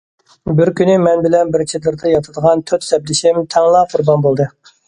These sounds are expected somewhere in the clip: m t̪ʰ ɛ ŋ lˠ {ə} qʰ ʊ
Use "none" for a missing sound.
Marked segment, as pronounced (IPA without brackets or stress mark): ɑ